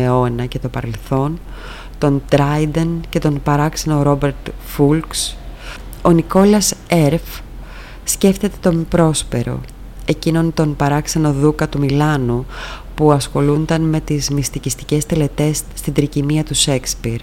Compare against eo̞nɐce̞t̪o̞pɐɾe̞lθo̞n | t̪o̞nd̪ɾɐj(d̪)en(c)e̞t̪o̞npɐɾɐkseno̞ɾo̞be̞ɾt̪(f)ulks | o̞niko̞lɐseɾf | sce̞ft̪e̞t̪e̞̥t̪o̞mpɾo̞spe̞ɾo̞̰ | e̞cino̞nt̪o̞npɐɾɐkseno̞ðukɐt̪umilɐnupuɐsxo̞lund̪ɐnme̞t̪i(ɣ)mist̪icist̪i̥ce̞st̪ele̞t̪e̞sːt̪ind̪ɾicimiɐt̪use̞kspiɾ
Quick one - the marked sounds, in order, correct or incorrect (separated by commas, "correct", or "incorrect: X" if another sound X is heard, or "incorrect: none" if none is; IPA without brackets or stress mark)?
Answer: correct, correct, correct, incorrect: z